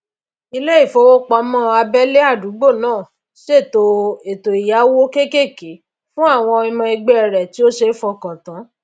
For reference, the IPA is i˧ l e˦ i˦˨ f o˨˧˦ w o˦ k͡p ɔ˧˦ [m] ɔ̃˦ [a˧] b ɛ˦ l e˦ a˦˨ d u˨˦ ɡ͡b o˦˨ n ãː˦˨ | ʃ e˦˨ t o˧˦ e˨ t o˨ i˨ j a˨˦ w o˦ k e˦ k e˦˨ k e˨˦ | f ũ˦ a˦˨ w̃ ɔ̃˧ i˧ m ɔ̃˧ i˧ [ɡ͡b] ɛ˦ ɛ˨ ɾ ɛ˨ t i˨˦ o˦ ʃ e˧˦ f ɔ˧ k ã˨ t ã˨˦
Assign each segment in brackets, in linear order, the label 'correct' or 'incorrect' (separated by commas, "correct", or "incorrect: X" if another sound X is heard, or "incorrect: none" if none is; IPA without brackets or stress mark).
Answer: correct, correct, correct